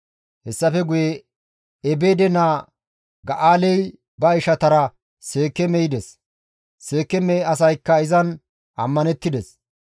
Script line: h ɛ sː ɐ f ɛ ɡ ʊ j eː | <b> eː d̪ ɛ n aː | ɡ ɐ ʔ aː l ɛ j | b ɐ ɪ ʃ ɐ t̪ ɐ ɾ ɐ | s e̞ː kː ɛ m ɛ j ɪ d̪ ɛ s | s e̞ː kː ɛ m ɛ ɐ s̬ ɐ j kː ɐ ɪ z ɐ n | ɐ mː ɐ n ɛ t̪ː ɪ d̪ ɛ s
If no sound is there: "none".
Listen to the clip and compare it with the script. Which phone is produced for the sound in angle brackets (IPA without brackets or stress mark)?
b